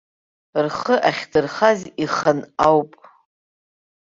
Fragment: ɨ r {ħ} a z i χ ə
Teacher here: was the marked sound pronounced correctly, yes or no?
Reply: no